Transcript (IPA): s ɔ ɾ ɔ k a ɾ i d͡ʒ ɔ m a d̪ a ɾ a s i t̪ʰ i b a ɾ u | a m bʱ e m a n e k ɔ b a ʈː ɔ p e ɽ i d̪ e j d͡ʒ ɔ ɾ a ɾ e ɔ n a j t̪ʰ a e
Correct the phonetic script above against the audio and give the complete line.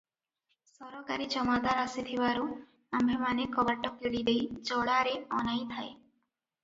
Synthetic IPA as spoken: s ɔ ɾ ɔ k a ɾ i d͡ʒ ɔ m a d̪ a ɾ a s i t̪ʰ i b a ɾ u | a m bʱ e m a n e k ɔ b a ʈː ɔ k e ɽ i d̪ e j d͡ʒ ɔ ɽ a ɾ e ɔ n a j t̪ʰ a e